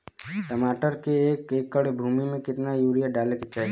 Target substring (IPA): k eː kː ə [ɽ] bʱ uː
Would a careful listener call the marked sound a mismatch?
no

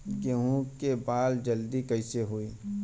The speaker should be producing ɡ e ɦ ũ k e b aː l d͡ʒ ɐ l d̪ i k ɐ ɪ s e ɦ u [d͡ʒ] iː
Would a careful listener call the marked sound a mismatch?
yes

